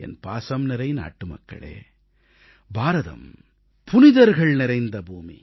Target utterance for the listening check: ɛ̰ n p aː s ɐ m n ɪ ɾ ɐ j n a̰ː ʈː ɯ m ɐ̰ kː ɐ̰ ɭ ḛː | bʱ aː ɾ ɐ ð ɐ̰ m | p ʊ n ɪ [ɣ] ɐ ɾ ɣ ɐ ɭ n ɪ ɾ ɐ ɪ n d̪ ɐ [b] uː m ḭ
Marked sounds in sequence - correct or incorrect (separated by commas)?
incorrect, correct